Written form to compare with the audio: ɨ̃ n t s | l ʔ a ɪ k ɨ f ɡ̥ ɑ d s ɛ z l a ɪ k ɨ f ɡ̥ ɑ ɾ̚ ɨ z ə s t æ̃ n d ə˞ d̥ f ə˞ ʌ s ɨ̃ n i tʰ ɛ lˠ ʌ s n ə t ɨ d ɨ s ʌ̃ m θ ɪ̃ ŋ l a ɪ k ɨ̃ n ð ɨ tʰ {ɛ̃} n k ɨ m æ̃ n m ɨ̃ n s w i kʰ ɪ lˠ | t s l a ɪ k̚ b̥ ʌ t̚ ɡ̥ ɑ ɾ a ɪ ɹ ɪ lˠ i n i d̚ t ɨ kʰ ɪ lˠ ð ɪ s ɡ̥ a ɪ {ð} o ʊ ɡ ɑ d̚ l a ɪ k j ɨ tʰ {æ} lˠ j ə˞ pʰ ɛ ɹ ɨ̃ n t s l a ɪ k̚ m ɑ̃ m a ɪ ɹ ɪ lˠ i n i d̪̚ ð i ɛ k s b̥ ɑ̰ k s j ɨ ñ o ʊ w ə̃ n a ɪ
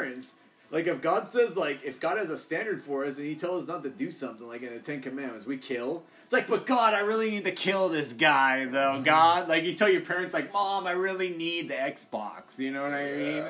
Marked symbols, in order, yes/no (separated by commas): yes, yes, no